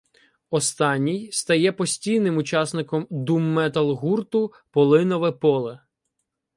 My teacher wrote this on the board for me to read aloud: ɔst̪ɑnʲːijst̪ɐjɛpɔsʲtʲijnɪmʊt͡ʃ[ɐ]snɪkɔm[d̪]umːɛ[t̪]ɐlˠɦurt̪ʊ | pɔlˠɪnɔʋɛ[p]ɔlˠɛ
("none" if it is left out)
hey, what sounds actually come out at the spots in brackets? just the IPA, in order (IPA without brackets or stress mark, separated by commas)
ɑ, d̪, t̪, p